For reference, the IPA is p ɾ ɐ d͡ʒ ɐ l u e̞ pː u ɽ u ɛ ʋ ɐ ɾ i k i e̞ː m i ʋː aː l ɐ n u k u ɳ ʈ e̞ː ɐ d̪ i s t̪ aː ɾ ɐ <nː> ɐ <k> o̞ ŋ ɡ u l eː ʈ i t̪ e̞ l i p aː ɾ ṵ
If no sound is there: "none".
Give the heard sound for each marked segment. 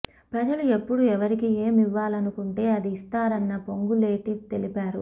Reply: nː, p

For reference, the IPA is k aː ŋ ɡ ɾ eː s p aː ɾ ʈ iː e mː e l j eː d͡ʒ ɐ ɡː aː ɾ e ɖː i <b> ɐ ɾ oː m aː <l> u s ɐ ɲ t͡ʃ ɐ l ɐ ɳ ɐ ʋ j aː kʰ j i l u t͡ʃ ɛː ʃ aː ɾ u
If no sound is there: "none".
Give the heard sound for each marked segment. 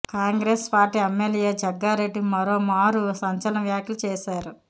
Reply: m, ɾ

